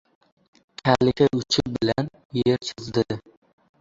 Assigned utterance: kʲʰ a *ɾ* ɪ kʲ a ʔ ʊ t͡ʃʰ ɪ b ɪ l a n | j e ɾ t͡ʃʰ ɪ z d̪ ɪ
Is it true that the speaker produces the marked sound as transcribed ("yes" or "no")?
no